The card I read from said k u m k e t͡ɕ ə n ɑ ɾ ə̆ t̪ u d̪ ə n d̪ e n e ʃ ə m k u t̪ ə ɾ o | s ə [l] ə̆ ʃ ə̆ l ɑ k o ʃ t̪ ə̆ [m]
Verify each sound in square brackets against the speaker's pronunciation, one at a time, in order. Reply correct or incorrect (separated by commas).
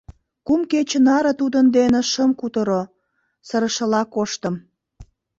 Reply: incorrect, correct